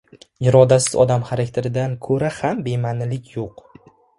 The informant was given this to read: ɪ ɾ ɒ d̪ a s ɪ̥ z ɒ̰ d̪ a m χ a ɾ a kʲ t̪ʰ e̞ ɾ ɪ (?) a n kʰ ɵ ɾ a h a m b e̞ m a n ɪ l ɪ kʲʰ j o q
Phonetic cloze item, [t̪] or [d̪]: d̪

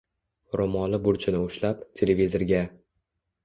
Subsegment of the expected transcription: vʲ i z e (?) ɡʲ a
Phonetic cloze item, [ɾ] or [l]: ɾ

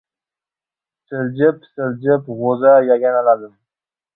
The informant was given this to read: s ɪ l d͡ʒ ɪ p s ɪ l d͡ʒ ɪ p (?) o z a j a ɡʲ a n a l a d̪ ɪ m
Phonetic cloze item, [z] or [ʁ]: ʁ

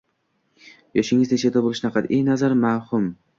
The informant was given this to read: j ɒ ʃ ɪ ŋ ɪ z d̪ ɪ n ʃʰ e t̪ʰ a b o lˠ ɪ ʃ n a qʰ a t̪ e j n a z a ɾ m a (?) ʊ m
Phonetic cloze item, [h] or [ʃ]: h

